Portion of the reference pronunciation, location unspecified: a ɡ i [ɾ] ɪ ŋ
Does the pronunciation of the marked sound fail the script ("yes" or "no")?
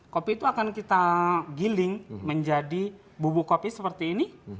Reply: yes